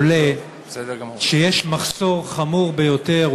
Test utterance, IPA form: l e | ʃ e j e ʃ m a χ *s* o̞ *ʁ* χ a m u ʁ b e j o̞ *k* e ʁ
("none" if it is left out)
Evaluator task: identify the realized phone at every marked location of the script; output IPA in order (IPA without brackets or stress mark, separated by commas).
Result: s, ʁ, t